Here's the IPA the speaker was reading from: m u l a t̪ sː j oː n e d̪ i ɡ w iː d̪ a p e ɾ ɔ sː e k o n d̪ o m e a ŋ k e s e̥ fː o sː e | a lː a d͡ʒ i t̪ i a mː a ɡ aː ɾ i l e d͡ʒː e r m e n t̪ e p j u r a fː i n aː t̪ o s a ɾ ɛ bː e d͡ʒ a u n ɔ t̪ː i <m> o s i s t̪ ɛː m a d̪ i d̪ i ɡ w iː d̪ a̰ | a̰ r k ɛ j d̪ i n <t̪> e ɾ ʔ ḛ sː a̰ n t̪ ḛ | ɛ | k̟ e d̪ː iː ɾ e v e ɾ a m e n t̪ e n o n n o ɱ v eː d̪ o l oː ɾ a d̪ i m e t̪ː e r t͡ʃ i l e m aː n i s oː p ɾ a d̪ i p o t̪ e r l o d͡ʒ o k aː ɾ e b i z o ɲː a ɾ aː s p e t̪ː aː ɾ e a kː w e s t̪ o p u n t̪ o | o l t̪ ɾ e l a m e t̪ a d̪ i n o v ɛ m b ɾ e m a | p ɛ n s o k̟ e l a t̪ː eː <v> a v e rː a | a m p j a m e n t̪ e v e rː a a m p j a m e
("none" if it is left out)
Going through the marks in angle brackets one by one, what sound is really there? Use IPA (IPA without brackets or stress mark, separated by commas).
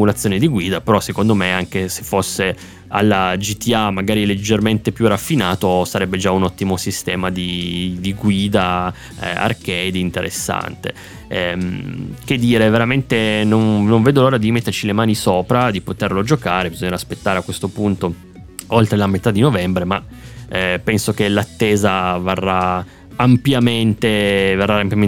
m, t̪, z